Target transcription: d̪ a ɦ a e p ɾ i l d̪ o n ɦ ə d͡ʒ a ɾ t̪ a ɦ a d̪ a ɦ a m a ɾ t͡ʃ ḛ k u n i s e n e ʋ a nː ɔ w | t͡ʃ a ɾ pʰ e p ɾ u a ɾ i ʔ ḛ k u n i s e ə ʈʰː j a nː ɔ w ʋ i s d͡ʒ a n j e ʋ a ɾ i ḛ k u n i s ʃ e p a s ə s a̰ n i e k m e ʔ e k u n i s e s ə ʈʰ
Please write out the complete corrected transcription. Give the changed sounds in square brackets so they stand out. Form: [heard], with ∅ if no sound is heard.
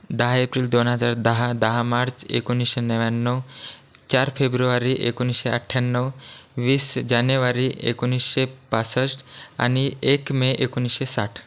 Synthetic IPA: d̪ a ɦ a e p ɾ i l d̪ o n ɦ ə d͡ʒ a ɾ [d̪] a ɦ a d̪ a ɦ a m a ɾ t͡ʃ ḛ k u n i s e n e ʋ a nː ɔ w | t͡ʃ a ɾ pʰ e [b] ɾ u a ɾ i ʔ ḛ k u n i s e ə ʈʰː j a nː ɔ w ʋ i s d͡ʒ a n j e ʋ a ɾ i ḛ k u n i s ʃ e p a s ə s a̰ n i e k m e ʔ e k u n i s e s [a] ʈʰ